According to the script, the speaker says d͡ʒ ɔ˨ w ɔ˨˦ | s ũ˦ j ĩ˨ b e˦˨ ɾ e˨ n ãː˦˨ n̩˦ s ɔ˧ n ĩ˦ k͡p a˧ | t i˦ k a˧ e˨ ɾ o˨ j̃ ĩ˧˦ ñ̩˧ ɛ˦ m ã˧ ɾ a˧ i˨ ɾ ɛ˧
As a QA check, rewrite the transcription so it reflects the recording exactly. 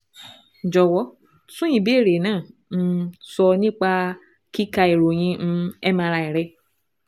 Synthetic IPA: d͡ʒ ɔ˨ w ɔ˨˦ | s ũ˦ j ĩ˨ b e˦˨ ɾ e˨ n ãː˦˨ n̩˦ s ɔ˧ n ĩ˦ k͡p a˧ | k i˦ k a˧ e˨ ɾ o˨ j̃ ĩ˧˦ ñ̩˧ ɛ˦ m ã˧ ɾ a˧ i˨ ɾ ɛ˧

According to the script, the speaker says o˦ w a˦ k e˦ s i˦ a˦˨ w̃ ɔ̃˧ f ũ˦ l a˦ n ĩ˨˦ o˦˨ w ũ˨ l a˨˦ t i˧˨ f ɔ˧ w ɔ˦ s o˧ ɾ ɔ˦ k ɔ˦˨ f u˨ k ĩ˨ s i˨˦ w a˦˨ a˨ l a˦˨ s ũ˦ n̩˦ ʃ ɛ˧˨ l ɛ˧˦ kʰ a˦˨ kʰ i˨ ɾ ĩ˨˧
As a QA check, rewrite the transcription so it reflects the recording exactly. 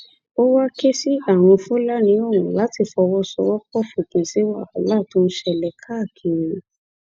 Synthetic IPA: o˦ w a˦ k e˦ s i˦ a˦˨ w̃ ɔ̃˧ f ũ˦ l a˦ n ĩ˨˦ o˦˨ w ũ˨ l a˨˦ t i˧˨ f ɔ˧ w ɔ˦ s ɔ˧ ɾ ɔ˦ k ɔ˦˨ f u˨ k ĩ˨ s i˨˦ w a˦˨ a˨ l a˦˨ t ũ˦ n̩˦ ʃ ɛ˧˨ l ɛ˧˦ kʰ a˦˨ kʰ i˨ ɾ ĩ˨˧

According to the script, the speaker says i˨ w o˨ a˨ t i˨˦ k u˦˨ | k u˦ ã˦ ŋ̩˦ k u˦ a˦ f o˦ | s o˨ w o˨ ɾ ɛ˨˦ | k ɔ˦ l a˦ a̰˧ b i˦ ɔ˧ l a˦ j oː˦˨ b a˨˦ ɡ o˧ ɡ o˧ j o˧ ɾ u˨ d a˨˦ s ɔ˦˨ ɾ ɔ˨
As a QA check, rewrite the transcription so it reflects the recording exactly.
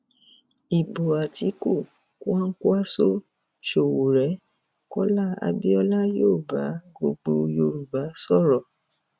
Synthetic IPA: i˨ b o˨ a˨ t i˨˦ k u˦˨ | k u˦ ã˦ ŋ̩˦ k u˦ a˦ s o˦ | ʃ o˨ w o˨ ɾ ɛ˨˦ | k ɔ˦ l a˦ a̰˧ b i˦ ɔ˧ l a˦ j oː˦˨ b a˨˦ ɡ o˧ ɡ͡b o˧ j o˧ ɾ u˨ b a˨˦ s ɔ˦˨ ɾ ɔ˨

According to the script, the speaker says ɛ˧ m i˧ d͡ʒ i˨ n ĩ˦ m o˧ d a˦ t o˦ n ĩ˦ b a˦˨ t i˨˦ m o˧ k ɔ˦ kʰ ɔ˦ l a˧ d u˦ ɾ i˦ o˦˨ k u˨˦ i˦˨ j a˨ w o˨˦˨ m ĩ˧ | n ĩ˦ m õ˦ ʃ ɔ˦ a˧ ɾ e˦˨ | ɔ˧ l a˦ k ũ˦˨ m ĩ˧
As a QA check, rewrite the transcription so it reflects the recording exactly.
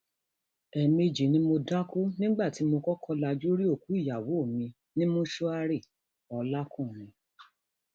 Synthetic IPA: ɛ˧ m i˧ d͡ʒ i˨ n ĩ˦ m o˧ d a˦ k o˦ n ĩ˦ ɡ͡b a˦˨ t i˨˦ m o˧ k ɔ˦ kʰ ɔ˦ l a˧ d͡ʒ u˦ ɾ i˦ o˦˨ k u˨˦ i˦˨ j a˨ w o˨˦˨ m ĩ˧ | n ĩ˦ m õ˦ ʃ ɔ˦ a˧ ɾ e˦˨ | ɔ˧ l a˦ k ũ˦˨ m ĩ˧

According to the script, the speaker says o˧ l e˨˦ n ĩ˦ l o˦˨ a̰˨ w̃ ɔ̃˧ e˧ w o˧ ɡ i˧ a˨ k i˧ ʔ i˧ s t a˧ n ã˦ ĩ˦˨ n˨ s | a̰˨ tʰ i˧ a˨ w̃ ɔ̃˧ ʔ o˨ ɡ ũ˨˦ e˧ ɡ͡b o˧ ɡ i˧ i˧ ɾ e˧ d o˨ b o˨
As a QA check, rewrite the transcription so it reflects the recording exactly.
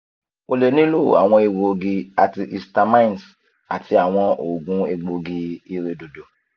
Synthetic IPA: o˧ l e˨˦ n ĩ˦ l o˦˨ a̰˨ w̃ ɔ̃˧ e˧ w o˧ ɡ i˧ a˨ t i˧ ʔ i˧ s t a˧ m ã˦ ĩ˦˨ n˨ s | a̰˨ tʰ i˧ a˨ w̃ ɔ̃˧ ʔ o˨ ɡ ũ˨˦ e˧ ɡ͡b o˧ ɡ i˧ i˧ ɾ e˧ d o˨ d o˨

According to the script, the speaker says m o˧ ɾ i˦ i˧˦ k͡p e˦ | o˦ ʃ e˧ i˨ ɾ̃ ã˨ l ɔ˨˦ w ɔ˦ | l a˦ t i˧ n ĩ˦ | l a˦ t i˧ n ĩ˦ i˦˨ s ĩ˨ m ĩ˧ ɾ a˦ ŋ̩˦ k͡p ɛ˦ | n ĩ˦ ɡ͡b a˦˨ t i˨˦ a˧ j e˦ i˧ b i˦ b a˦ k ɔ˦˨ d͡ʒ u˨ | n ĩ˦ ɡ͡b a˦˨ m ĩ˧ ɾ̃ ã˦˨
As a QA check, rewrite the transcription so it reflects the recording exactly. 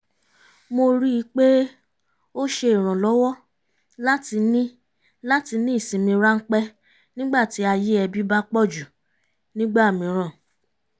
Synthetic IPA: m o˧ ɾ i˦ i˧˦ k͡p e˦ | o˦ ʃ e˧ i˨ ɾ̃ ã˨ l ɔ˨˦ w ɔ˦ | l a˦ t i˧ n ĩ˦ | l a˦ t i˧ n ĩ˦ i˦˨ s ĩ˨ m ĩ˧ ɾ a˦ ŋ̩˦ k͡p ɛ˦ | n ĩ˦ ɡ͡b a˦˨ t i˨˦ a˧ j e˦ ɛ˧ b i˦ b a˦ k͡p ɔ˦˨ d͡ʒ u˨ | n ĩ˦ ɡ͡b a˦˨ m ĩ˧ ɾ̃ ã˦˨

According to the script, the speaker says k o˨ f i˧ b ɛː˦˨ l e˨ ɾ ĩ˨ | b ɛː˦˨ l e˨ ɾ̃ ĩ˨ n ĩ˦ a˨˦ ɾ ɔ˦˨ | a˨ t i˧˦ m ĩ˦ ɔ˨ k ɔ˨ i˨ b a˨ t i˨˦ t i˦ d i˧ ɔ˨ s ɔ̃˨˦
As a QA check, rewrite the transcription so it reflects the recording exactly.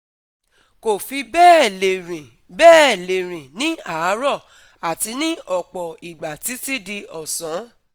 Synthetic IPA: k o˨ f i˧ b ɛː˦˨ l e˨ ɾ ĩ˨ | b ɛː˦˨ l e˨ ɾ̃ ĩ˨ n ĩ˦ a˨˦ ɾ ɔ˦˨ | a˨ t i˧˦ n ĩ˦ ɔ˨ k͡p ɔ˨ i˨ ɡ͡b a˨ t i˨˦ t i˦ d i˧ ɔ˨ s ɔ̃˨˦

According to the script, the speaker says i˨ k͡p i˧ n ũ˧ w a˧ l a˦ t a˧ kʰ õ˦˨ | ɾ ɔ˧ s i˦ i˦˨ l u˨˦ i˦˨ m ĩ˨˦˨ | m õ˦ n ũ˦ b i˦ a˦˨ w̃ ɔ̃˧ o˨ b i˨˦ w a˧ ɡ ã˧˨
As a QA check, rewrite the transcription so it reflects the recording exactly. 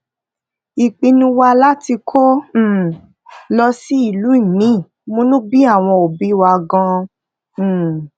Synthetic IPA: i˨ k͡p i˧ n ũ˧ w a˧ l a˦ t i˧ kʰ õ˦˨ | l ɔ˧ s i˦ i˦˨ l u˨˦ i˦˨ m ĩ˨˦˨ | m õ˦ n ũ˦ b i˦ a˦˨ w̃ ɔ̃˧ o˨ b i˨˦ w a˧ ɡ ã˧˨

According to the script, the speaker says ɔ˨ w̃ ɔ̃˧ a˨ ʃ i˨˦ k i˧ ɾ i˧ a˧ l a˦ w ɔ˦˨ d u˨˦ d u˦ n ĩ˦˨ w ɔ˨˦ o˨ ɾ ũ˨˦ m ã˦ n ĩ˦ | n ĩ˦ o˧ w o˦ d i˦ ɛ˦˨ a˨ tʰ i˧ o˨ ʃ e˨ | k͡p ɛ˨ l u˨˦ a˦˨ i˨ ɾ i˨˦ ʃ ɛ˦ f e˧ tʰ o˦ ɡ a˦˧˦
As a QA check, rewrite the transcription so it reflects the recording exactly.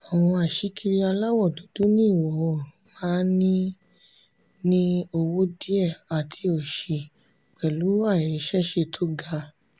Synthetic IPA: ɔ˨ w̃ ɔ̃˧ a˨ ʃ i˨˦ k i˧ ɾ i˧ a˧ l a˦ w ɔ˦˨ d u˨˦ d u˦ n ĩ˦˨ w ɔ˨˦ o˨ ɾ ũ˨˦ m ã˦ n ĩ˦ | n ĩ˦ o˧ w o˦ d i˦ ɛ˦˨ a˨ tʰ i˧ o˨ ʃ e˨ | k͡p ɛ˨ l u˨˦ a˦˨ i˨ ɾ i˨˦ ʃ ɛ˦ ʃ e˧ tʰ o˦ ɡ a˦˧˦

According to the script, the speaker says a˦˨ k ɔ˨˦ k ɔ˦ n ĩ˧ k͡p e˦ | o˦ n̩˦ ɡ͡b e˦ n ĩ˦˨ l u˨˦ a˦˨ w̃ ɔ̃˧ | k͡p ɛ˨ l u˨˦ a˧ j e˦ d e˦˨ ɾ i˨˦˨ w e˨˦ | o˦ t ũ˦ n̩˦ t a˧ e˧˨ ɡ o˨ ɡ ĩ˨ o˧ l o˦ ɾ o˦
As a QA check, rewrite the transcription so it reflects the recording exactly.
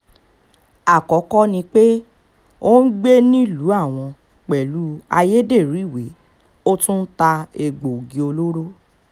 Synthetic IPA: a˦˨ k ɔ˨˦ k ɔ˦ n ĩ˧ k͡p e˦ | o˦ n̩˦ ɡ͡b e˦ n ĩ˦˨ l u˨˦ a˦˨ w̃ ɔ̃˧ | k͡p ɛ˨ l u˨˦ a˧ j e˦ d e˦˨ ɾ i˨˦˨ w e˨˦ | o˦ t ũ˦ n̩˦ t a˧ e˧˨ ɡ͡b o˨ ɡ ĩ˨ o˧ l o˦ ɾ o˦

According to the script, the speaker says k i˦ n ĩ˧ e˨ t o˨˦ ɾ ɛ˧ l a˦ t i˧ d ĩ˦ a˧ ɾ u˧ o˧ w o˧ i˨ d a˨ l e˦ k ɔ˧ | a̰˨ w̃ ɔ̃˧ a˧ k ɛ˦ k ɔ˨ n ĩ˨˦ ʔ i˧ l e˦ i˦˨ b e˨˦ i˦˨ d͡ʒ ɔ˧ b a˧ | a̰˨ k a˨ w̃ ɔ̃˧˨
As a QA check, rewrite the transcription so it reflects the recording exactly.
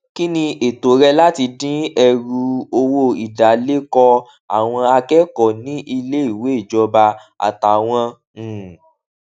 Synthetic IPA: k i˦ n ĩ˧ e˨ t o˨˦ ɾ ɛ˧ l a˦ t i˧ d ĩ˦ ɛ˧ ɾ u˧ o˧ w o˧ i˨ d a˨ l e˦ k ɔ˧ | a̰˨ w̃ ɔ̃˧ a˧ k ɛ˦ k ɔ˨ n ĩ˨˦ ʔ i˧ l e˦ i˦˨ w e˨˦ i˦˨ d͡ʒ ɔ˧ b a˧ | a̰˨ t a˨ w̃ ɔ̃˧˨

